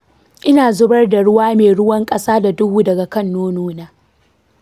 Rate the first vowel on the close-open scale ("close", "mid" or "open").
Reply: close